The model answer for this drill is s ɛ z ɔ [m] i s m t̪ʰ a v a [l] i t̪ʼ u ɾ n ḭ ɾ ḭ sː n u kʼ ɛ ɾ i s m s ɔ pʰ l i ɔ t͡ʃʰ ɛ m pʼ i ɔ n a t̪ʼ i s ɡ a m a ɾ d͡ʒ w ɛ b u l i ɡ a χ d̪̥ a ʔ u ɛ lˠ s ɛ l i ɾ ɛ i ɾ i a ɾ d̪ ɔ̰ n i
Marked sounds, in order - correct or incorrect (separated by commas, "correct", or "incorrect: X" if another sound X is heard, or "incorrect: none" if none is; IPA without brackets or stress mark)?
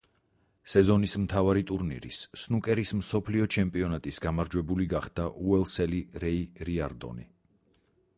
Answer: incorrect: n, incorrect: ɾ